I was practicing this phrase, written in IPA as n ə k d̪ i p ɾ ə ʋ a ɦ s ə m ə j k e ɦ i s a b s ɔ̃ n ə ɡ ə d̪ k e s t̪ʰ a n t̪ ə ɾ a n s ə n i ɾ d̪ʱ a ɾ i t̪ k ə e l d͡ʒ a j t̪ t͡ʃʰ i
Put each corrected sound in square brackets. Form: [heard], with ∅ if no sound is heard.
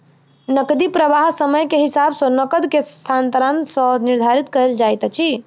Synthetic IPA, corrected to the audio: n ə k d̪ i p ɾ ə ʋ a ɦ s ə m ə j k e ɦ i s a b s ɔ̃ n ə [k] ə d̪ k e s t̪ʰ a n t̪ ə ɾ a n s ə n i ɾ d̪ʱ a ɾ i t̪ k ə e l d͡ʒ a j t̪ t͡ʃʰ i